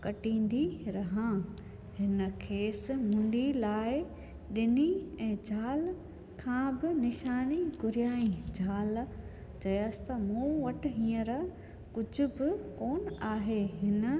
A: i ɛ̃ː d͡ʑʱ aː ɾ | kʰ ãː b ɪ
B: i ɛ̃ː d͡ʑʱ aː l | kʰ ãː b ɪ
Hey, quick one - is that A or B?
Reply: B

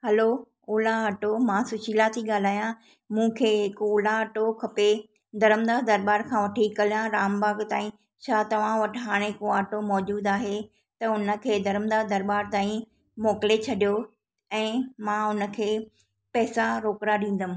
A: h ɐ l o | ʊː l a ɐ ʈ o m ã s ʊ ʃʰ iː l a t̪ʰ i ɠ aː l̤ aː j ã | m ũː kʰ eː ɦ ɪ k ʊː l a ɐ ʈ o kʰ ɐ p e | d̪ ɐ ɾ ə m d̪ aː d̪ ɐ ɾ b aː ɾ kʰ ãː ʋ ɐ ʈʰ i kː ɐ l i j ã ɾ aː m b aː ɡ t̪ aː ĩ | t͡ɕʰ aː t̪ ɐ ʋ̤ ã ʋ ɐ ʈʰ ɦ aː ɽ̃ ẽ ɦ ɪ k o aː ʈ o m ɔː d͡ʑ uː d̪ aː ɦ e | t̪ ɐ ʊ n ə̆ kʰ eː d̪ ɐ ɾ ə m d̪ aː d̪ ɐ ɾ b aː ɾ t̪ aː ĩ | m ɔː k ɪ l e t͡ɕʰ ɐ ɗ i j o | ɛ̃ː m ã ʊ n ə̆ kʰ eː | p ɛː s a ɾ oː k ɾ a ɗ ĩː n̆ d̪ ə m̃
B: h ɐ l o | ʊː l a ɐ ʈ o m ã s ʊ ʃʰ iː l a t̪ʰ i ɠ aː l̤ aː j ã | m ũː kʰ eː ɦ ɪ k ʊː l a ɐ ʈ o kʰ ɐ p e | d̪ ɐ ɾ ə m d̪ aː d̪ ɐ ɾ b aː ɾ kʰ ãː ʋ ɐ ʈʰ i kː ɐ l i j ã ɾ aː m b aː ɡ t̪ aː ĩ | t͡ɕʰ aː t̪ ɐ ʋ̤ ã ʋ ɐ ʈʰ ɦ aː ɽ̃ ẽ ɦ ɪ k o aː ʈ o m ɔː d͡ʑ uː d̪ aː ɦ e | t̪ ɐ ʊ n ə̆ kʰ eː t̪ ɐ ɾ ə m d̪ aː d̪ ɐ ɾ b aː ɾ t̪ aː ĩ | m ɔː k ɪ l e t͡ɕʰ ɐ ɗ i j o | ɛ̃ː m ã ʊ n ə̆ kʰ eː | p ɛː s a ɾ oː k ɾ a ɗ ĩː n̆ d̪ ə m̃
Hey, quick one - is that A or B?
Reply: A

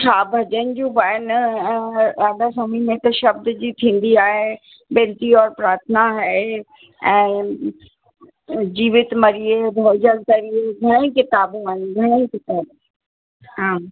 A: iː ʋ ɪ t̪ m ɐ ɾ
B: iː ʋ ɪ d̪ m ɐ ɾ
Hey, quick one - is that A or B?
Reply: A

